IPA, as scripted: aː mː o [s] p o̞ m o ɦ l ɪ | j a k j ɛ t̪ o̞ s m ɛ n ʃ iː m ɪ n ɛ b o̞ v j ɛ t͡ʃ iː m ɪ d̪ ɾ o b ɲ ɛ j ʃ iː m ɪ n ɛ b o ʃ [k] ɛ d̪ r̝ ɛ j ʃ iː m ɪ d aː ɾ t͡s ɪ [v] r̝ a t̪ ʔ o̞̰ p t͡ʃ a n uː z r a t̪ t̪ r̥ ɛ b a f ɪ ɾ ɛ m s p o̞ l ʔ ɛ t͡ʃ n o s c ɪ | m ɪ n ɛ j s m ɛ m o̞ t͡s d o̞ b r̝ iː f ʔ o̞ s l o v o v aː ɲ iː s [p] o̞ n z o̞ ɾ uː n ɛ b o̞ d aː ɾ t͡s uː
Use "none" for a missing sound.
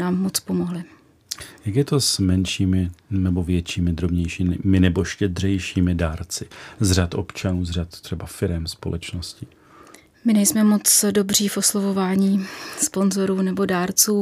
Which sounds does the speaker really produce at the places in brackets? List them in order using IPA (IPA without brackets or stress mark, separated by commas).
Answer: t͡s, c, z, p